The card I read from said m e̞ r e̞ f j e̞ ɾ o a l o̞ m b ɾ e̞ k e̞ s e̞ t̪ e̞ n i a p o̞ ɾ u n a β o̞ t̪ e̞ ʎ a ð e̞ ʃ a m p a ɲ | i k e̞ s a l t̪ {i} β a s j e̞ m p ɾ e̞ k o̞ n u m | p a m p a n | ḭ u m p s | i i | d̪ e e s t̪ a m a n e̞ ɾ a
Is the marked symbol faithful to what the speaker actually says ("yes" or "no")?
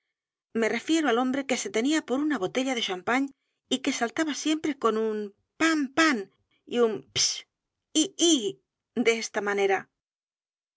no